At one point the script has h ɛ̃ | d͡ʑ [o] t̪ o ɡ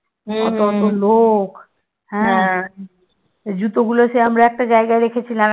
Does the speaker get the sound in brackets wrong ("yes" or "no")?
yes